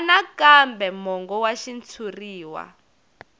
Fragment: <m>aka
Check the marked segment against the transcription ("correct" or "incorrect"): incorrect